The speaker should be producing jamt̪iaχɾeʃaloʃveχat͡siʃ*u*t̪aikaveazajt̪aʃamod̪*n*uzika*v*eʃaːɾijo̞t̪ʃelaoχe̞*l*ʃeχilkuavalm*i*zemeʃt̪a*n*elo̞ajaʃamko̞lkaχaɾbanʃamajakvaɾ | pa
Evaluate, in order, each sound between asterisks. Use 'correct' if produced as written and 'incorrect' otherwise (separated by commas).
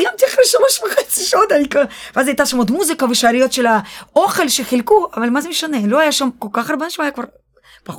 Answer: incorrect, incorrect, correct, correct, incorrect, correct